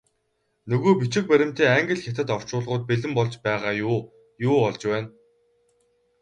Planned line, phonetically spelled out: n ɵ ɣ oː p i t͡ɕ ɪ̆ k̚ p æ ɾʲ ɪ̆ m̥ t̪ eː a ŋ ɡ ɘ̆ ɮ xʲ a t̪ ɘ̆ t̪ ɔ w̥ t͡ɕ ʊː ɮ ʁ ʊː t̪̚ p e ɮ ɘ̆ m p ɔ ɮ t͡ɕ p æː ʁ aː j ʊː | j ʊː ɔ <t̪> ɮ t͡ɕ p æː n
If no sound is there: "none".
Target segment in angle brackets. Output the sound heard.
none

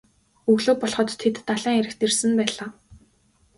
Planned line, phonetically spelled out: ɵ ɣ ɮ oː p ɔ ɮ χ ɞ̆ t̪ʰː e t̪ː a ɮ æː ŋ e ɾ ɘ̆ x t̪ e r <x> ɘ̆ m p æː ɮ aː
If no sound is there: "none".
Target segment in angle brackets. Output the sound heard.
s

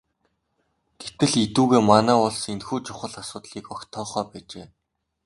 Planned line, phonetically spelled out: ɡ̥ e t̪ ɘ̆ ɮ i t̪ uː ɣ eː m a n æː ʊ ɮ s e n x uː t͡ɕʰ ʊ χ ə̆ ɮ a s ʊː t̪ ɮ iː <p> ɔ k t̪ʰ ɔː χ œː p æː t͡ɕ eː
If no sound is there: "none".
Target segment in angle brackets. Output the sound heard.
k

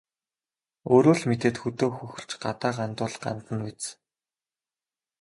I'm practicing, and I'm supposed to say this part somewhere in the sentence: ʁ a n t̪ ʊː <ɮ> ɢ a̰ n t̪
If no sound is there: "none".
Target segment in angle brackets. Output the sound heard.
ɮ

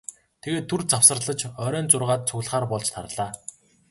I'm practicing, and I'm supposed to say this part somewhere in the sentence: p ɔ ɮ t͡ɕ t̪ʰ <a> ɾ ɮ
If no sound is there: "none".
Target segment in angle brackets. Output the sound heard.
a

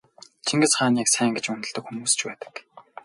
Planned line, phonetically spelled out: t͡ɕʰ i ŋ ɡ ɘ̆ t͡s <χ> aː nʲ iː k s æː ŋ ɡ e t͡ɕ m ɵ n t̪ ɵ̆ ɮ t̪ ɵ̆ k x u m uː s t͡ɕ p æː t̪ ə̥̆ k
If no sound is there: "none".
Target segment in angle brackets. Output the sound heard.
χ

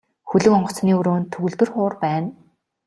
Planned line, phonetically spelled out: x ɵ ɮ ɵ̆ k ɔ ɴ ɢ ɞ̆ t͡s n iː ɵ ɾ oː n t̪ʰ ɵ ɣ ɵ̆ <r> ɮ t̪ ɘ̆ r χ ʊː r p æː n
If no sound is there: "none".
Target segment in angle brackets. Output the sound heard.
none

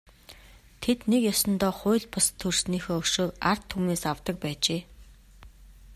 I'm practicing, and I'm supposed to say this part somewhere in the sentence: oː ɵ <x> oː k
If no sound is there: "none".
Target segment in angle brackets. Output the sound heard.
ʃ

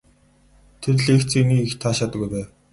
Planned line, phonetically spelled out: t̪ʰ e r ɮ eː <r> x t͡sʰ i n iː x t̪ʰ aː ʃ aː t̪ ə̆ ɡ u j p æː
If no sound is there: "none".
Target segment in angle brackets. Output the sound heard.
none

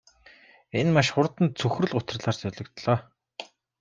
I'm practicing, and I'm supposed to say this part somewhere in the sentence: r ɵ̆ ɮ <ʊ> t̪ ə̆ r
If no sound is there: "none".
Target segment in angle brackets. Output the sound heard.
ʊ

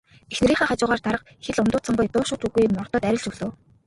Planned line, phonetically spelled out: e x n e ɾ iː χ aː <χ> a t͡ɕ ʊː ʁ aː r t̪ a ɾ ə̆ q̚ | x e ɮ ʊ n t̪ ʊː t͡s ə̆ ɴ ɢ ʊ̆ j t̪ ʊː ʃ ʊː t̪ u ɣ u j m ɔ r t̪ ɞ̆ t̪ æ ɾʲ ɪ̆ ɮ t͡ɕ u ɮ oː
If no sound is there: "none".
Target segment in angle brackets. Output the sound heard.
χ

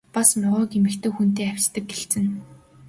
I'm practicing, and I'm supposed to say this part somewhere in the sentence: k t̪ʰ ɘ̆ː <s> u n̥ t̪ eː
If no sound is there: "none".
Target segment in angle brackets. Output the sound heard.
x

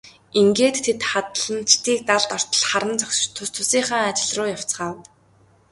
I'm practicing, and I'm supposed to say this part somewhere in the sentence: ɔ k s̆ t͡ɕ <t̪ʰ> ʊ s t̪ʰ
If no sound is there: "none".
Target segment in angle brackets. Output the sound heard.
t̪ʰ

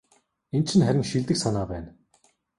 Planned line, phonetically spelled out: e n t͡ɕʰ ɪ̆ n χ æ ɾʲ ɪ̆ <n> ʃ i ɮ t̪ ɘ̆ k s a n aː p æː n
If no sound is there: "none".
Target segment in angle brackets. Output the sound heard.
ŋ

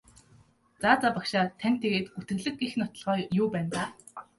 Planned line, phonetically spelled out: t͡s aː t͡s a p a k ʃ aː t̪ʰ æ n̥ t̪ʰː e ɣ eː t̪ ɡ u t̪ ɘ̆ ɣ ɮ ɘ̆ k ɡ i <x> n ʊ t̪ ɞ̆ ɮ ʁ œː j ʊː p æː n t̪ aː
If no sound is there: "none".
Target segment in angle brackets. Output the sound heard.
x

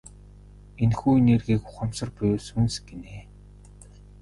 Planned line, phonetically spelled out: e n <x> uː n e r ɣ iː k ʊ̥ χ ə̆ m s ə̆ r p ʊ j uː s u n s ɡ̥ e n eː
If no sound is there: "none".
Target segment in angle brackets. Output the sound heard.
x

